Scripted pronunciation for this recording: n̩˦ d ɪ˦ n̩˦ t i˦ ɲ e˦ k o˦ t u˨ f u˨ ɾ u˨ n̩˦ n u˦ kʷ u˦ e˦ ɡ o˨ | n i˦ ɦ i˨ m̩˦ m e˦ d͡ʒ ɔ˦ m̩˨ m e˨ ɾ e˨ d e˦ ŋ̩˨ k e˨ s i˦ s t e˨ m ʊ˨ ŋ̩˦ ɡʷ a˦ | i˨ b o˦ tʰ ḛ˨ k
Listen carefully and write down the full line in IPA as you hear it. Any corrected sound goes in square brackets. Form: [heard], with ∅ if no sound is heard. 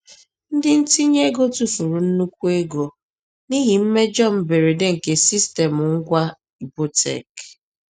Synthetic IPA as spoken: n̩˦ d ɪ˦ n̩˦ t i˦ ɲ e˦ [ɡ] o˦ t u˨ f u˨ ɾ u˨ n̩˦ n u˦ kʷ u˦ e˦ ɡ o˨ | n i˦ ɦ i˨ m̩˦ m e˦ d͡ʒ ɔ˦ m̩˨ [b] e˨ ɾ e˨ d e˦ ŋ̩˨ k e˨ s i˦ s t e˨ m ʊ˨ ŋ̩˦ ɡʷ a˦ | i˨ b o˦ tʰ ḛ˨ k